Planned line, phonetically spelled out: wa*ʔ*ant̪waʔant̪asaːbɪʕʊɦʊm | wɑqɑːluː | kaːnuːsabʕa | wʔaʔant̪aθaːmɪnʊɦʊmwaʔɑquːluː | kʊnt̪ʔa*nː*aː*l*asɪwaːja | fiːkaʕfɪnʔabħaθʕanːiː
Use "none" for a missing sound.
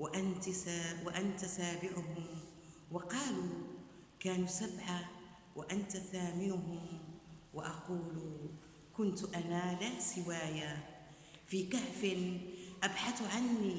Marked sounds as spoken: ʔ, n, l

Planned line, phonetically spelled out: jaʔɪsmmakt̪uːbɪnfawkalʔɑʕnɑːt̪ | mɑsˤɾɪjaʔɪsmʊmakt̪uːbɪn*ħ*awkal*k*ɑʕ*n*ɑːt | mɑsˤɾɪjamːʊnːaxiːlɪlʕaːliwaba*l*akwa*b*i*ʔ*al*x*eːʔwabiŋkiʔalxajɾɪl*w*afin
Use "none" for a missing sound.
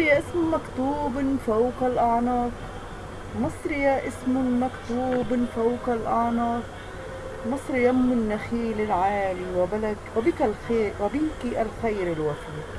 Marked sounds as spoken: f, ʔ, n, l, b, k, x, w

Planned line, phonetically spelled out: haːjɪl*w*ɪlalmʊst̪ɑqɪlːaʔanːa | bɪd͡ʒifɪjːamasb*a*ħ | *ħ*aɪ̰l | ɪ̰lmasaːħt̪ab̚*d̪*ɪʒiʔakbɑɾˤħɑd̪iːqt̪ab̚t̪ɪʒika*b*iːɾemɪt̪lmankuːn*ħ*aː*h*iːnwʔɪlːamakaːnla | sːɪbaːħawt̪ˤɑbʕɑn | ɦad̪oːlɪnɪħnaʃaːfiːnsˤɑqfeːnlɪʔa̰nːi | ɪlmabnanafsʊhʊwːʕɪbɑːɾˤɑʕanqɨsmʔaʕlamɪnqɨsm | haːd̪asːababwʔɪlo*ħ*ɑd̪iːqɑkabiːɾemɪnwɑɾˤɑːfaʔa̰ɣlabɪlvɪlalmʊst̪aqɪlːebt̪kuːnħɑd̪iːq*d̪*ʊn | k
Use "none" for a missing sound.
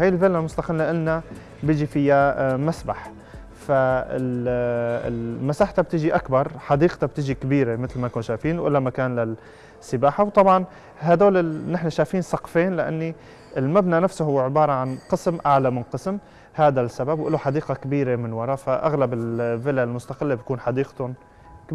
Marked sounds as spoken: v, a, f, t̪, b, ʃ, f, ħ, t̪

